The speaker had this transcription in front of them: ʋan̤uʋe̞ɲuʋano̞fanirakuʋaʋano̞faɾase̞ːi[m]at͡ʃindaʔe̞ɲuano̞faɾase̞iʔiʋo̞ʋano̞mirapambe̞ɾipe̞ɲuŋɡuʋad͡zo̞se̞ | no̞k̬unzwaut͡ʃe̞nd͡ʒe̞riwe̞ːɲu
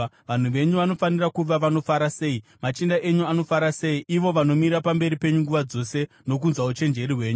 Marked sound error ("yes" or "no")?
no